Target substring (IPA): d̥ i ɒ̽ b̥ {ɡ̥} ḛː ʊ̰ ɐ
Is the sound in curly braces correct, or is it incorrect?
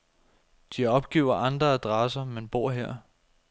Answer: correct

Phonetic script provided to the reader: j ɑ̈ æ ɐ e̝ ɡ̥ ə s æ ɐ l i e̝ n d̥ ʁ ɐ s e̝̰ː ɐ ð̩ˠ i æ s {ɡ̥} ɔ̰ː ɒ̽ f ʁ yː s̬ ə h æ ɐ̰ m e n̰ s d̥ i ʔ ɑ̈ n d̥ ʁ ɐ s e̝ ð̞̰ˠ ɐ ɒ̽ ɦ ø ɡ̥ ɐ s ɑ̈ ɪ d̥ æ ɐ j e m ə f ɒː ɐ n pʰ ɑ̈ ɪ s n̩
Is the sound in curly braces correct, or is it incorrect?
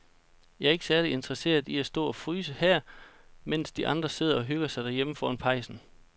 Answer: incorrect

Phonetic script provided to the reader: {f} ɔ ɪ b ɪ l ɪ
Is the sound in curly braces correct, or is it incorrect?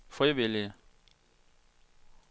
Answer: correct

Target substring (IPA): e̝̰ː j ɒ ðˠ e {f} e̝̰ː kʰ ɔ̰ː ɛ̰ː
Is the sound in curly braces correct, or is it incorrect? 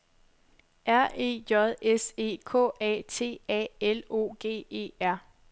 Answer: incorrect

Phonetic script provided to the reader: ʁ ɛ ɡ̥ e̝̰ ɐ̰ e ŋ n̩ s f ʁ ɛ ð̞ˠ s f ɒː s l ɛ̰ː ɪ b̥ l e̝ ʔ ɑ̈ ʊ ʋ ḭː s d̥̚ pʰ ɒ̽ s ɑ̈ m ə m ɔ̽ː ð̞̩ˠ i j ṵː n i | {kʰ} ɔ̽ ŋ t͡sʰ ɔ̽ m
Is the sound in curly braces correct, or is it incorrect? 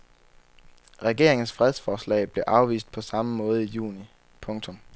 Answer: incorrect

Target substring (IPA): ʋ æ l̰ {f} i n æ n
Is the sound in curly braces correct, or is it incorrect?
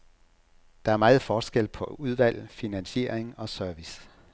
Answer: correct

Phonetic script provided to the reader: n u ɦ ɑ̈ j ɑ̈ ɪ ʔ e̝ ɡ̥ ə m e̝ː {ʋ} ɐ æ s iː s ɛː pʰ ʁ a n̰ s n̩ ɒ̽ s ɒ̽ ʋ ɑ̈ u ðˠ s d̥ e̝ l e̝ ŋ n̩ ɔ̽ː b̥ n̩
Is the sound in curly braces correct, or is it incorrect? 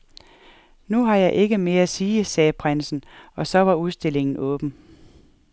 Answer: incorrect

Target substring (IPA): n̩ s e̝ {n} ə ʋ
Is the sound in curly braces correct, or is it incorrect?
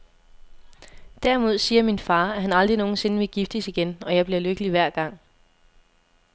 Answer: correct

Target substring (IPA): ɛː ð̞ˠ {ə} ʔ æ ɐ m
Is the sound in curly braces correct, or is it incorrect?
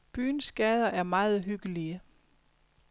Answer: incorrect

